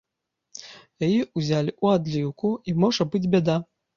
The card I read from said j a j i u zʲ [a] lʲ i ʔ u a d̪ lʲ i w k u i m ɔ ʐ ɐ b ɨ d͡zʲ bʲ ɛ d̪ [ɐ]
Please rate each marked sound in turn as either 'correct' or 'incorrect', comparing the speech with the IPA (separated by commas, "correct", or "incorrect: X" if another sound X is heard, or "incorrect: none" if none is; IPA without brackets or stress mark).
correct, incorrect: a